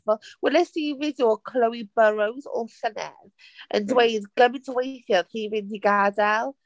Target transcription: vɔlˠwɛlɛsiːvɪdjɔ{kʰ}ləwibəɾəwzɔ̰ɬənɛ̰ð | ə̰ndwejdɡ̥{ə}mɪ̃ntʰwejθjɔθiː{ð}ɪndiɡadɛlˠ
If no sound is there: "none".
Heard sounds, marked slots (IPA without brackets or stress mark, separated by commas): kʰ, ə, v